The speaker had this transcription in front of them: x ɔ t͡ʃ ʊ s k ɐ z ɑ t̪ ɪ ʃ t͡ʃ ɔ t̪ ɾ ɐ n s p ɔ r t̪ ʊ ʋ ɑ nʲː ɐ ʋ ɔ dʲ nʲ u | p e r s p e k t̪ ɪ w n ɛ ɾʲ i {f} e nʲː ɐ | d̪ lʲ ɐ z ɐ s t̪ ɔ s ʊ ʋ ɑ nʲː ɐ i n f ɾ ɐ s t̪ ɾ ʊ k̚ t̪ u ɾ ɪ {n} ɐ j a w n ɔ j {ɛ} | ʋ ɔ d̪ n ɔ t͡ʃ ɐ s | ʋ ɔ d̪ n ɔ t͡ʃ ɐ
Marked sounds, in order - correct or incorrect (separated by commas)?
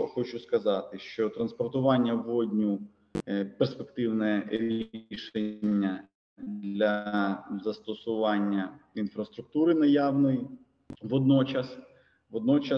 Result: incorrect, correct, incorrect